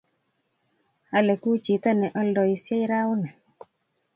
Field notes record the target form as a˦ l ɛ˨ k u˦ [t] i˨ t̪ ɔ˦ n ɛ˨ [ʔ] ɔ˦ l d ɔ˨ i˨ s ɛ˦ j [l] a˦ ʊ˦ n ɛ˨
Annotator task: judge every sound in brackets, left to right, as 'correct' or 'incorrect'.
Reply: incorrect: t͡ʃ, correct, incorrect: ɾ

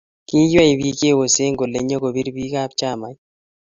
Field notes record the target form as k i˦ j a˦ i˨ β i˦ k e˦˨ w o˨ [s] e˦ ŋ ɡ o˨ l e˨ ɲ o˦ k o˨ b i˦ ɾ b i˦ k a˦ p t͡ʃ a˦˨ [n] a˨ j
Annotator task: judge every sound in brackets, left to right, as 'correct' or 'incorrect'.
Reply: correct, incorrect: m

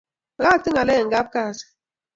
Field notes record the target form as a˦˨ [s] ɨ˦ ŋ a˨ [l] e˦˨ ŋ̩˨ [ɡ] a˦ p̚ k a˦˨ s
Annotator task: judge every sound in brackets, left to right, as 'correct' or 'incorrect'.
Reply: incorrect: t, correct, correct

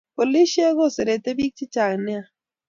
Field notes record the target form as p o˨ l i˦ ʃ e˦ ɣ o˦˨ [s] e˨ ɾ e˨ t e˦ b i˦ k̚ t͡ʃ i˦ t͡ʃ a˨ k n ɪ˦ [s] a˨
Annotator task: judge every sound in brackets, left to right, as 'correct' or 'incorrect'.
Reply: correct, incorrect: none

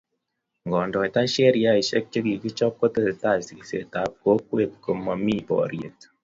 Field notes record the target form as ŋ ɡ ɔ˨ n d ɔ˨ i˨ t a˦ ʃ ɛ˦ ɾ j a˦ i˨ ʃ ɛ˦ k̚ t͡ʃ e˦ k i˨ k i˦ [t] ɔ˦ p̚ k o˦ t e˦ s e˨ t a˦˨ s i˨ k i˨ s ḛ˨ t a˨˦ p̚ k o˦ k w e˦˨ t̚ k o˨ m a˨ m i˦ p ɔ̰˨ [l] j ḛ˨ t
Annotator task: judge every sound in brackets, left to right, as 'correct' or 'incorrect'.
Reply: incorrect: t͡ʃ, incorrect: ɾ

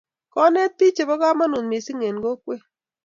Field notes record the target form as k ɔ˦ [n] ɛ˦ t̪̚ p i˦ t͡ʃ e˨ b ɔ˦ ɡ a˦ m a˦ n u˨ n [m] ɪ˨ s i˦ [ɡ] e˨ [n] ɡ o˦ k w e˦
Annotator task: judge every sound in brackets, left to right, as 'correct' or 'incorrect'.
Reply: correct, correct, incorrect: ŋ, correct

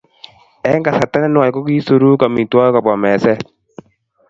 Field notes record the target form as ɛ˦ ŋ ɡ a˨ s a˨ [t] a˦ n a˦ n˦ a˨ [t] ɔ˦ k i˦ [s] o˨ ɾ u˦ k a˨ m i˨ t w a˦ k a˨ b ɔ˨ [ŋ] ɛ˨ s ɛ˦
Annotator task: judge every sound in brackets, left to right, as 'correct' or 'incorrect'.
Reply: correct, incorrect: k, correct, incorrect: m

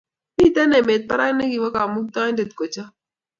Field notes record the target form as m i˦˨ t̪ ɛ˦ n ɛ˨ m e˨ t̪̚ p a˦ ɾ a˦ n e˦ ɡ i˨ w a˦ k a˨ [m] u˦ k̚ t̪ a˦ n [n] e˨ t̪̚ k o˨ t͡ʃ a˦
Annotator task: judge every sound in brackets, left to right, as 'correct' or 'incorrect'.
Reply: correct, incorrect: d

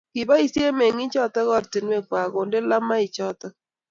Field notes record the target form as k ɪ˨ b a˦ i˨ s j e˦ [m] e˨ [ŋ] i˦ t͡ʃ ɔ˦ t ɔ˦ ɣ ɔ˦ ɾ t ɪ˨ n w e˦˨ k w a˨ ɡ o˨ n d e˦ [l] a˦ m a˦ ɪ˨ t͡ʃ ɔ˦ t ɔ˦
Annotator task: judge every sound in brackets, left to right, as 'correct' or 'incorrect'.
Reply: correct, correct, correct

